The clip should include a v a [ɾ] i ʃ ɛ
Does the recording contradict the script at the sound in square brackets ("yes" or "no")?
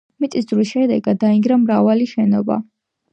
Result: yes